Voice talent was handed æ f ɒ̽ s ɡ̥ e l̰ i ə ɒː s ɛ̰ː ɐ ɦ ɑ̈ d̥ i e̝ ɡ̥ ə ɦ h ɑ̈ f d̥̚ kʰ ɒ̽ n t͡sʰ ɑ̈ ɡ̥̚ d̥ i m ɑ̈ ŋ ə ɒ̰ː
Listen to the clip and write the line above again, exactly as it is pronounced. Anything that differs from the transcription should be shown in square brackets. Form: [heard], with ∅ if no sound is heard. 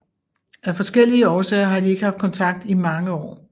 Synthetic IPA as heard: æ f ɒ̽ s ɡ̥ e l̰ i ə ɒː s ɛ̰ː ɐ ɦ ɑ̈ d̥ i e̝ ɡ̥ ə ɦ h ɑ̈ f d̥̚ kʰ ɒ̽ n t͡sʰ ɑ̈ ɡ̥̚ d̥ i m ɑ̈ ŋ ə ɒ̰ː

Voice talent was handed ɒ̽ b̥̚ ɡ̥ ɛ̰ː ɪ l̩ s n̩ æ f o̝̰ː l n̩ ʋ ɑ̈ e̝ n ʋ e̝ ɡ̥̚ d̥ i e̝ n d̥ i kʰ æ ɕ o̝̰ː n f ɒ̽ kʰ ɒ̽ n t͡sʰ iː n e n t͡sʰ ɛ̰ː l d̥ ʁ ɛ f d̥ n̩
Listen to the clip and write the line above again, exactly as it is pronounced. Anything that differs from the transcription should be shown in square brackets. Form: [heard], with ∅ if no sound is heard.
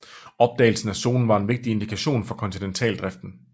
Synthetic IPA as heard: ɒ̽ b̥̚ [d̥] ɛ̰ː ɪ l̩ s n̩ æ [s] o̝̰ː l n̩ ʋ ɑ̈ e̝ n ʋ e̝ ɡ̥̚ d̥ i e̝ n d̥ i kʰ æ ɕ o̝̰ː n f ɒ̽ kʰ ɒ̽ n t͡sʰ [i] n e n t͡sʰ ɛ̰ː l d̥ ʁ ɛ f d̥ n̩

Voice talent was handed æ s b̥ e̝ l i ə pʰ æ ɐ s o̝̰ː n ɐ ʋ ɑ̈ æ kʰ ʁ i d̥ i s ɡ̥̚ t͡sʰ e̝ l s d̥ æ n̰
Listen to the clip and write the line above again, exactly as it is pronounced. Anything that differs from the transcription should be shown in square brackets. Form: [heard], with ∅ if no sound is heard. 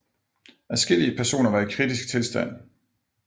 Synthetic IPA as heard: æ s [ɡ̥] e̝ l i ə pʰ æ ɐ s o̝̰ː n ɐ ʋ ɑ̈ [i] kʰ ʁ i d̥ i s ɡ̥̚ t͡sʰ e̝ l s d̥ æ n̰

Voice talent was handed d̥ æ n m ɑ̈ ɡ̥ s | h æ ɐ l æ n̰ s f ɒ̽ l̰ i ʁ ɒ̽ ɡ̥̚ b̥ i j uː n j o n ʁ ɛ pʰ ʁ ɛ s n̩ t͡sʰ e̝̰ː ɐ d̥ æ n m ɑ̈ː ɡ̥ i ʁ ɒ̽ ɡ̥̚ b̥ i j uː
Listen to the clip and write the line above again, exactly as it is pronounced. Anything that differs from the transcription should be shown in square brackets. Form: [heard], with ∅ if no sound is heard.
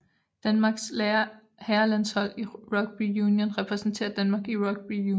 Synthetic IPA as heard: d̥ æ n m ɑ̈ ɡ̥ s | h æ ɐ l æ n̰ s [h] ɒ̽ l̰ i ʁ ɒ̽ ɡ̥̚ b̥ i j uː n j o n ʁ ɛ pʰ ʁ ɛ s n̩ t͡sʰ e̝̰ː ɐ d̥ æ n m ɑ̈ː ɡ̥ i ʁ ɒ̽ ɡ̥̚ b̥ i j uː

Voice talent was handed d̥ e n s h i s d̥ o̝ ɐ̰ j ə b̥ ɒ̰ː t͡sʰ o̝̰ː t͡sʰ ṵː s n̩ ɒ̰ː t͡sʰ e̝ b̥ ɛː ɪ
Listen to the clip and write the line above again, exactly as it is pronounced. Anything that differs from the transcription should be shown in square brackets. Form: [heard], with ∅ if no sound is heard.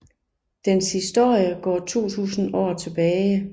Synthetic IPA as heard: d̥ e n s h i s d̥ o̝ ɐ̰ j ə [ɡ̥] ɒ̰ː t͡sʰ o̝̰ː t͡sʰ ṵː s n̩ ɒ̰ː t͡sʰ e̝ b̥ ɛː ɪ

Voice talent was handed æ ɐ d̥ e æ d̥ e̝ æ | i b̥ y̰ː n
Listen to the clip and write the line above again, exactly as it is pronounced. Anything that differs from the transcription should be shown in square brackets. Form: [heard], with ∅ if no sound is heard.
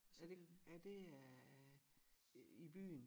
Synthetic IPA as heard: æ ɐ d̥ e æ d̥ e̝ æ | i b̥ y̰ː n

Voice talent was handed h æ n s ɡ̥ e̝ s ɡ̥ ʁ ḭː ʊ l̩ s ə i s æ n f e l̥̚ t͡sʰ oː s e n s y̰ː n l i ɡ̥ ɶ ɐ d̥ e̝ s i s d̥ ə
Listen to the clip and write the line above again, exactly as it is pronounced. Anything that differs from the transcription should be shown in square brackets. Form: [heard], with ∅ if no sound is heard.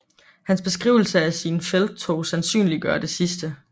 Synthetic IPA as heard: h æ n s [b̥] e̝ s ɡ̥ ʁ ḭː ʊ l̩ s ə [æ] s [i] n f e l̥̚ t͡sʰ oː s [æ] n s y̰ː n l i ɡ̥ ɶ ɐ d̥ e̝ s i s d̥ ə

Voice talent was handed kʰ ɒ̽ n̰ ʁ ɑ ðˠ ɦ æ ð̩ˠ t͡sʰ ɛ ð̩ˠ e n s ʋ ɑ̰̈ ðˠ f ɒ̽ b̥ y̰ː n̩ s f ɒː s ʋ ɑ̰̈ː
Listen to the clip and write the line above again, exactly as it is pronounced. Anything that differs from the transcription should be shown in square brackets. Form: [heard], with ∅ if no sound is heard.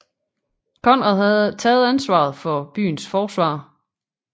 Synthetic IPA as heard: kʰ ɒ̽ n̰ ʁ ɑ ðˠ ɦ æ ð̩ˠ t͡sʰ [ɛː] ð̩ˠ [æ] n s ʋ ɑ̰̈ ðˠ f ɒ̽ b̥ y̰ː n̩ s f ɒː s ʋ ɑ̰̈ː

